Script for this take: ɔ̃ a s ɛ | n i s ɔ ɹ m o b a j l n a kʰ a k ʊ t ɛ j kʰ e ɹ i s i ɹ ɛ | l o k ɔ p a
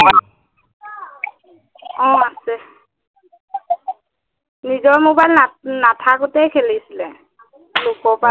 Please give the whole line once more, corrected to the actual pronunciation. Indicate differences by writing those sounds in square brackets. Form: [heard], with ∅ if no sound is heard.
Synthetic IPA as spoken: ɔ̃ a s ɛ | n i [z] ɔ ɹ m o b a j l n a [tʰ] a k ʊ t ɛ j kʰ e [l] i s i [l] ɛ | l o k ɔ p a

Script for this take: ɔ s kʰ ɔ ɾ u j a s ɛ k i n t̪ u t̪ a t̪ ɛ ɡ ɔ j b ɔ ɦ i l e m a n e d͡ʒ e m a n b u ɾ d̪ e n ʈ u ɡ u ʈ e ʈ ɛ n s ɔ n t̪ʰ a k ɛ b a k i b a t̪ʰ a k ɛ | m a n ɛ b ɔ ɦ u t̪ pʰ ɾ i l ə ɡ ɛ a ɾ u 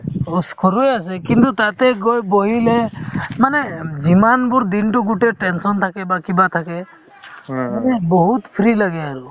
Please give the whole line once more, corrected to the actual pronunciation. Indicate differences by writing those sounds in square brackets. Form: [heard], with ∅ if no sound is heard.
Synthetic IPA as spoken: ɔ s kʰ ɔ ɾ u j a s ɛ k i n t̪ u t̪ a t̪ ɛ ɡ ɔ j b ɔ ɦ i l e m a n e d͡ʒ [i] m a n b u ɾ d̪ [i] n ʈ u ɡ u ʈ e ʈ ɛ n s ɔ n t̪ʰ a k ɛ b a k i b a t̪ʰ a k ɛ | m a n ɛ b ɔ ɦ u t̪ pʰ ɾ i l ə ɡ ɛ a ɾ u

